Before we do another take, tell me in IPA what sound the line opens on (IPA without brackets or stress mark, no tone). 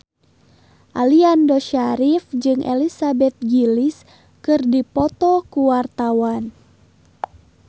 ʔ